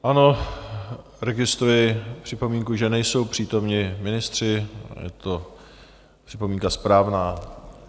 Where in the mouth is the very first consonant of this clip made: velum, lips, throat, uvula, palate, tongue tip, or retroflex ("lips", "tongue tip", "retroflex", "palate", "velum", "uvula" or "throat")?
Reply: throat